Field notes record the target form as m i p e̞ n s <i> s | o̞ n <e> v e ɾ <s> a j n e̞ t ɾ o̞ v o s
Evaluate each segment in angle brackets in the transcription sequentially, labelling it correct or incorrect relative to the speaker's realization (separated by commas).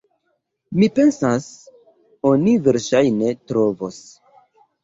incorrect, incorrect, incorrect